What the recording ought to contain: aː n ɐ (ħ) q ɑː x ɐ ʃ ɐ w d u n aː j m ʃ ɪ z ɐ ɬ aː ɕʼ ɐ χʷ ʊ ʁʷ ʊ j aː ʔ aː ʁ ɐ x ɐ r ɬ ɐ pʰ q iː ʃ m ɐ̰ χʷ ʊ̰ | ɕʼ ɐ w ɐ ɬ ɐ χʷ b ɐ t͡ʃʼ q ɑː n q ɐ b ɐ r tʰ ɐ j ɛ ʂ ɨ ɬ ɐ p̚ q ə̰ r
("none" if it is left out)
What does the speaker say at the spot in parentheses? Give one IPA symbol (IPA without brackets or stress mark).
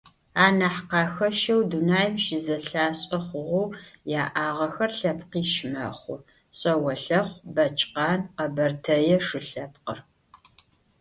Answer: ħ